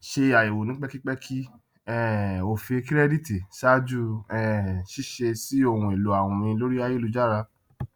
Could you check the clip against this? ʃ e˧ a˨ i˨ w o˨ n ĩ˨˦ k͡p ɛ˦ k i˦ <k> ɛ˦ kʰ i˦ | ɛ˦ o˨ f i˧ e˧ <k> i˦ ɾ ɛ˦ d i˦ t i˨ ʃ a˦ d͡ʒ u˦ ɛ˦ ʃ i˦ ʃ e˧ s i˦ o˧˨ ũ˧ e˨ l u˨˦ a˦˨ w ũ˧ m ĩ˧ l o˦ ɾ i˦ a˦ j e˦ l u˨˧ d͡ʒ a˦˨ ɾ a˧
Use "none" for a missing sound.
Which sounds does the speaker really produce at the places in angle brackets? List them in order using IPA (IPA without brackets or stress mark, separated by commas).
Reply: k͡p, k